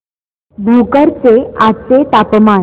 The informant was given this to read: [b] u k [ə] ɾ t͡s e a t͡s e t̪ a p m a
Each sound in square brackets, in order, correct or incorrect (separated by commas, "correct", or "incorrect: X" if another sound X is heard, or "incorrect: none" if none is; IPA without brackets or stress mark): correct, correct